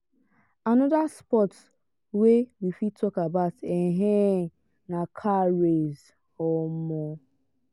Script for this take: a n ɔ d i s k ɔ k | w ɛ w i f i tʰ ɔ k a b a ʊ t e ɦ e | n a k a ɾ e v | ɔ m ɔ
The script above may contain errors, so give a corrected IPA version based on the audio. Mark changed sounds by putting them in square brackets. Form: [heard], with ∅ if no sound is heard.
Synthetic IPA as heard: a n ɔ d [a] s [p] ɔ [t] | w [e] w i f i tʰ ɔ k a b a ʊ t e ɦ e | n a [kʰ] a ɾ e [z] | ɔ m ɔ